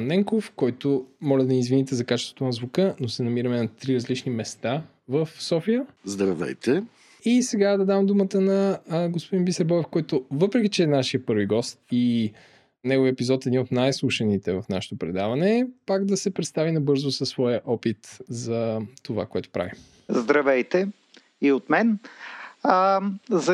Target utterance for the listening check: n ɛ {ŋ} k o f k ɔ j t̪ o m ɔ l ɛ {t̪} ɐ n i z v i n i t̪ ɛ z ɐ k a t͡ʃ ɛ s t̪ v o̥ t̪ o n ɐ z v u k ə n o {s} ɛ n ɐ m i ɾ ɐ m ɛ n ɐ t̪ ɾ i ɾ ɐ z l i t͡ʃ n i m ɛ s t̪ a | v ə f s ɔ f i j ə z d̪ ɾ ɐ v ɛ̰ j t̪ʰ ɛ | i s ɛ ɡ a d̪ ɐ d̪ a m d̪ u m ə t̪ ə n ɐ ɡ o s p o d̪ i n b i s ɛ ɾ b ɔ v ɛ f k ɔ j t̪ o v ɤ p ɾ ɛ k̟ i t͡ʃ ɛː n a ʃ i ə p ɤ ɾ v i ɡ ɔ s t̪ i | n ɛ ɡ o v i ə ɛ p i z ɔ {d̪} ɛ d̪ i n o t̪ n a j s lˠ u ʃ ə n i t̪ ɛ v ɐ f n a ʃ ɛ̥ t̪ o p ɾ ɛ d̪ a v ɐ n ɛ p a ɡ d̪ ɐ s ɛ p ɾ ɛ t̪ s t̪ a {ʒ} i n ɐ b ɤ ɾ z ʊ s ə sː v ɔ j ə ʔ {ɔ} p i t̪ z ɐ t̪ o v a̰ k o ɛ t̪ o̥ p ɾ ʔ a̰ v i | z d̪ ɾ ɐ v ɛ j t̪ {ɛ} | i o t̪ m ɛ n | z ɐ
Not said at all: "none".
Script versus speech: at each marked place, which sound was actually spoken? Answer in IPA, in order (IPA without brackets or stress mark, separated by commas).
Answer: ŋ, d̪, s, t̪, v, ɔ, ɛ